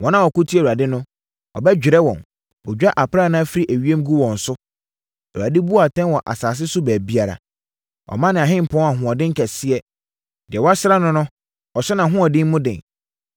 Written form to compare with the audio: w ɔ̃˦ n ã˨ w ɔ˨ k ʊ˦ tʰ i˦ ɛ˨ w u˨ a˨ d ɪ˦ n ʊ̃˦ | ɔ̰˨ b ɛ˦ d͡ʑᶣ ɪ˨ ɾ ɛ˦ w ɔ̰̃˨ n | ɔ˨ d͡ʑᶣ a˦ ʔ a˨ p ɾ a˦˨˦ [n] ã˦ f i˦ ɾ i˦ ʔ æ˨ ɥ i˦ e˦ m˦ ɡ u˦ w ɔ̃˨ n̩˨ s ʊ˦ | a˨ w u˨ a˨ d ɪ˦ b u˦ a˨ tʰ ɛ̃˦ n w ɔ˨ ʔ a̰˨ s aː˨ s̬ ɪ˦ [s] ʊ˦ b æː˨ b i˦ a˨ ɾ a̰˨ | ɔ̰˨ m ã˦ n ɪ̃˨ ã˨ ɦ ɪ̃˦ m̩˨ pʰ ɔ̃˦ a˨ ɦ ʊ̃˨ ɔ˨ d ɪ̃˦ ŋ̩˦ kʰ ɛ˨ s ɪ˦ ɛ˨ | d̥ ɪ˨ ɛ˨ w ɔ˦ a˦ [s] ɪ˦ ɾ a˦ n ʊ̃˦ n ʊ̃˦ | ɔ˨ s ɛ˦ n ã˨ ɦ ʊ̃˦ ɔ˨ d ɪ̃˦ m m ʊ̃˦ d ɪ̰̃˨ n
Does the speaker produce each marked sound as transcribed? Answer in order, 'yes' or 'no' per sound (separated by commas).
yes, yes, yes